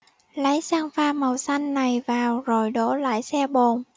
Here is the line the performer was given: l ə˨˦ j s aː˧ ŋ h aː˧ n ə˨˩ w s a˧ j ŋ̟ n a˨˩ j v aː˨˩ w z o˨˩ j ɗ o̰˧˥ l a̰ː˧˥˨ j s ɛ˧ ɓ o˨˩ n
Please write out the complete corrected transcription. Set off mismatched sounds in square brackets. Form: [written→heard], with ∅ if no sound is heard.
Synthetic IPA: l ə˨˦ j s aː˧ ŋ [h→f] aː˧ [n→m] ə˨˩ w s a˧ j ŋ̟ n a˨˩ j v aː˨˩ w z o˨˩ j ɗ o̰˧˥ l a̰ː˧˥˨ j s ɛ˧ ɓ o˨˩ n